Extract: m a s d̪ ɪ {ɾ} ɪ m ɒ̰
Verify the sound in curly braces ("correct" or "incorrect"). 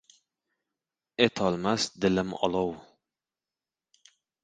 incorrect